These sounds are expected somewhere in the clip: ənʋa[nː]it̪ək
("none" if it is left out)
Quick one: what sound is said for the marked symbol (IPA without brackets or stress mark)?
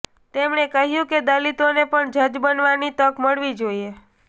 n